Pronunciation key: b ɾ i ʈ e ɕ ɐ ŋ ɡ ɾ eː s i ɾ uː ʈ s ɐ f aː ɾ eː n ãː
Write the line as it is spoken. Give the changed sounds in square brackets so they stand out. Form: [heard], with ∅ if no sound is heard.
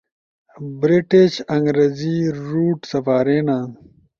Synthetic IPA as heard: b ɾ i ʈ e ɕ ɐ ŋ ɡ ɾ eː [z] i ɾ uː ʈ s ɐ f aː ɾ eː n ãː